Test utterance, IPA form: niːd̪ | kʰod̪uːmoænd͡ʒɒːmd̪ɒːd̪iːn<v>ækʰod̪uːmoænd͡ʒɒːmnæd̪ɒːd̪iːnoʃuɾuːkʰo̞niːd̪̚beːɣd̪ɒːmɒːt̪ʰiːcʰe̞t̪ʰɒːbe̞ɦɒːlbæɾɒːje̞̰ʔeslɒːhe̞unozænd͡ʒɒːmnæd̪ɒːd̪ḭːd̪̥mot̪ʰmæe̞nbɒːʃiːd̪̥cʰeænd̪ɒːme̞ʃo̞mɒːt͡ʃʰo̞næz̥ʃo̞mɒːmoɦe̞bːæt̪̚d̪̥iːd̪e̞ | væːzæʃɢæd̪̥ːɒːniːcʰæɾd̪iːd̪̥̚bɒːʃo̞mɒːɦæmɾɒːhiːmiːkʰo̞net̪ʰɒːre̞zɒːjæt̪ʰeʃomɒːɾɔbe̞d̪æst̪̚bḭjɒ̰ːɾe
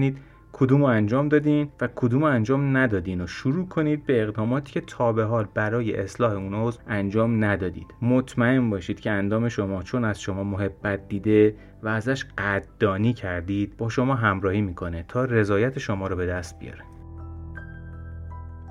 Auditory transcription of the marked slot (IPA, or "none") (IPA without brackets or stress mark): v